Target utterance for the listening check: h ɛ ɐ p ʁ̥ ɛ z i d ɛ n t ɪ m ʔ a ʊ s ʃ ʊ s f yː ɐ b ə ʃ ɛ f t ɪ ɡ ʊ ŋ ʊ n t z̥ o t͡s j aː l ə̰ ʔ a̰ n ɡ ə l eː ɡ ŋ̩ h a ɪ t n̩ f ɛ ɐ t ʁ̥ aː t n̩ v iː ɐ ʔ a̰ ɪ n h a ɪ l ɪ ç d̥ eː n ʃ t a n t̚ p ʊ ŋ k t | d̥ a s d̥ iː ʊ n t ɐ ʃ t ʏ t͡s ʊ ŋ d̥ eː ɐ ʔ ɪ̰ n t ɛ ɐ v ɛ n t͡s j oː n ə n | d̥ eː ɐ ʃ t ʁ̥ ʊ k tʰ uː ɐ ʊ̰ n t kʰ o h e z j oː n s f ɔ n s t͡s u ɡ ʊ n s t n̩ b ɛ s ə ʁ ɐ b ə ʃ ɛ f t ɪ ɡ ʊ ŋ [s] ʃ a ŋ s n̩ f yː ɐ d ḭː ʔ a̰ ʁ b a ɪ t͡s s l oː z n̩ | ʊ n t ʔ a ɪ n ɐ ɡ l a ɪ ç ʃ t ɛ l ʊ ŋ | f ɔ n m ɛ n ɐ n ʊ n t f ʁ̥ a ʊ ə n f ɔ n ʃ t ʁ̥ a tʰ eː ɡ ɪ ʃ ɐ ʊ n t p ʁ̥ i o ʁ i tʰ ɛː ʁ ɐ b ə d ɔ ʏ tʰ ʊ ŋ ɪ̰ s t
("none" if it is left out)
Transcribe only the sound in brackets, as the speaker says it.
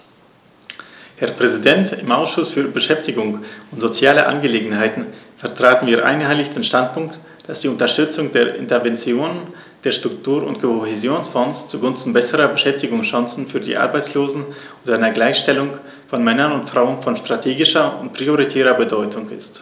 s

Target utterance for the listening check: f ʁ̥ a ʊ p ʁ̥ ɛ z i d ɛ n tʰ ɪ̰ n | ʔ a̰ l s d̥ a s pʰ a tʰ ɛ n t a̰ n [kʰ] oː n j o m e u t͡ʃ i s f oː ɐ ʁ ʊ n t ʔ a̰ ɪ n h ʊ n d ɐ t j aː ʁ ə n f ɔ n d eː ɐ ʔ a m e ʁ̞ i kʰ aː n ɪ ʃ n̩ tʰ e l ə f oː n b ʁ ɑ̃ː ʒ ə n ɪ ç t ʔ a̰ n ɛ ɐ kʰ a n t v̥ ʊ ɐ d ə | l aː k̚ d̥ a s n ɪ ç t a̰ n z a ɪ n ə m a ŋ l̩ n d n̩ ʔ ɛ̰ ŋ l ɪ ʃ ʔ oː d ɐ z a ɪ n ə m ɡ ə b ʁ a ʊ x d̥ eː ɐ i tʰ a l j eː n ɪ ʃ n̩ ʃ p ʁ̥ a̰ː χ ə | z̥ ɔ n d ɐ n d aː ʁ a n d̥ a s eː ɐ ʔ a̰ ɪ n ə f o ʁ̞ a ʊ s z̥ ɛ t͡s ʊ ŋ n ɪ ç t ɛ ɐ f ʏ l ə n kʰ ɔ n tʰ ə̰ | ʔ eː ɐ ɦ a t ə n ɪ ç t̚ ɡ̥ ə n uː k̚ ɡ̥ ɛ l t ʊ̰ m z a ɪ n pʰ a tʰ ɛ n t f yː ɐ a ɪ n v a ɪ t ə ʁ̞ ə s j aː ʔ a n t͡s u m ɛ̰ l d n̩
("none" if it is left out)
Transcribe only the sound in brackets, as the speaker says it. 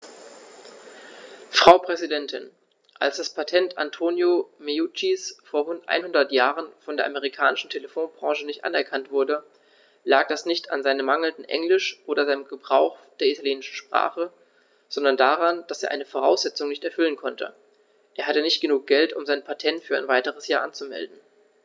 tʰ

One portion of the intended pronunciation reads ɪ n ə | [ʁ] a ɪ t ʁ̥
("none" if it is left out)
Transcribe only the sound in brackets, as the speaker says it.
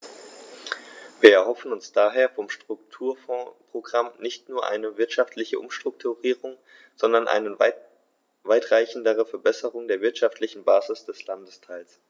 v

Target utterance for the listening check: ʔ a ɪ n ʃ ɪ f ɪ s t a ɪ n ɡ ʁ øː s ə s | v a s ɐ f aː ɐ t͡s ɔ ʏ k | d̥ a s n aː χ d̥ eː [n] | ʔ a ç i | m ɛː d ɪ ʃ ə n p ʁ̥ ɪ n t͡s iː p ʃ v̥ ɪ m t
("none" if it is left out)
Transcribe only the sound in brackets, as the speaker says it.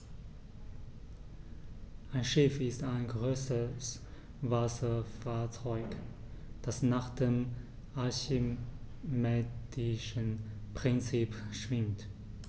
m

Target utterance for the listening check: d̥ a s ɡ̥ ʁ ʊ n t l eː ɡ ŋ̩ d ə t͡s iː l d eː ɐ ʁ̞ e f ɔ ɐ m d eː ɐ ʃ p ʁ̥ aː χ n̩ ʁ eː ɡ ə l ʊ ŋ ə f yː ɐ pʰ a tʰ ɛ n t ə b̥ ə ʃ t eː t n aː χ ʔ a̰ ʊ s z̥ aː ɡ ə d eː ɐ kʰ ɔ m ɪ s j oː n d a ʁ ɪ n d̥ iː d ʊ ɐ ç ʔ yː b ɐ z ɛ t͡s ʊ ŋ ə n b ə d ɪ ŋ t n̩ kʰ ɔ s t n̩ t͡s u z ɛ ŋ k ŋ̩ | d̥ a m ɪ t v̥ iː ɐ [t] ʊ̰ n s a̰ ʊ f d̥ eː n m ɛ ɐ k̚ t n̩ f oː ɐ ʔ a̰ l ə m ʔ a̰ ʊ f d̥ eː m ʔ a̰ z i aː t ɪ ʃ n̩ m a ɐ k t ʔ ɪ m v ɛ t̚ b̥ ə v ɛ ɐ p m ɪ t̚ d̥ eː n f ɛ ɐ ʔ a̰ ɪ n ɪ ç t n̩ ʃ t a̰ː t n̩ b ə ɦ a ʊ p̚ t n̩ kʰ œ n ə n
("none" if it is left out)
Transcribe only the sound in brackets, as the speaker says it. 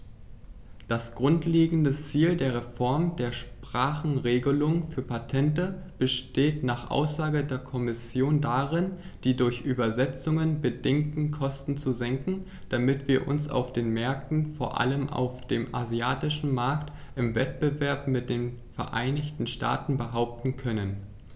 ʔ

